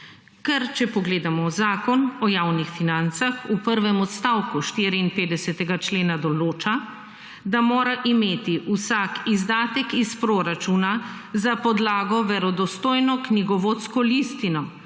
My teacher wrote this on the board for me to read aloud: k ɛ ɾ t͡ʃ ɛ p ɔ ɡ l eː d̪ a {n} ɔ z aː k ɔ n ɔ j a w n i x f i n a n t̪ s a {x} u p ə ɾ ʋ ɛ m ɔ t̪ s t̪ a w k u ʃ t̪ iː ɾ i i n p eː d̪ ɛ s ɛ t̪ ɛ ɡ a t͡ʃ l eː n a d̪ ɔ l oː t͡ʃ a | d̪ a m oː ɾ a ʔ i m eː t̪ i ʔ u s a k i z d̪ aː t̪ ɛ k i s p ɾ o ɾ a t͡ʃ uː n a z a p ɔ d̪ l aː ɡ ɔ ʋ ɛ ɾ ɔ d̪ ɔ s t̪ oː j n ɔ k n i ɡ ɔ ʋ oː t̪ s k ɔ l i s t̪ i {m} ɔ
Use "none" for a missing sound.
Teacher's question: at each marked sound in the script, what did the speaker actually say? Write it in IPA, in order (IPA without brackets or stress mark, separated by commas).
m, x, n